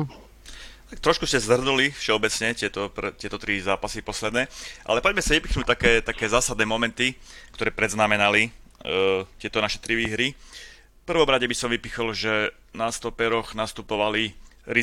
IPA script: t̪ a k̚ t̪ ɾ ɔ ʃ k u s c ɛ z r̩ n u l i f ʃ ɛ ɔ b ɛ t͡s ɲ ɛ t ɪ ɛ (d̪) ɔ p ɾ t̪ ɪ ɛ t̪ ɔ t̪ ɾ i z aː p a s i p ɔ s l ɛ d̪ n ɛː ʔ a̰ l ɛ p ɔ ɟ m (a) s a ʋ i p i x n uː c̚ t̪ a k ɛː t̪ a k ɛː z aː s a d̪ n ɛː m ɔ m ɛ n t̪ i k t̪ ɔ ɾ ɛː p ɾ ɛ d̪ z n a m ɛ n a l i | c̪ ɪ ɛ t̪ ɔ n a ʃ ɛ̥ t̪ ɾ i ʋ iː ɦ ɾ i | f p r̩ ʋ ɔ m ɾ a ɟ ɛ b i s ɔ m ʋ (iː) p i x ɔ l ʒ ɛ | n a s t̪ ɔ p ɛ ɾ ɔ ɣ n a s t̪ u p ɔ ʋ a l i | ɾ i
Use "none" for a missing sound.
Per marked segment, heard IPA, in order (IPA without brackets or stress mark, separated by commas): t̪, ɛ, i